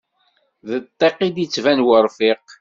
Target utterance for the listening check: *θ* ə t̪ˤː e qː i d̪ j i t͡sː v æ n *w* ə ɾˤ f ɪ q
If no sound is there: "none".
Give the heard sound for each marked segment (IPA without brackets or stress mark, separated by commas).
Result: ð, w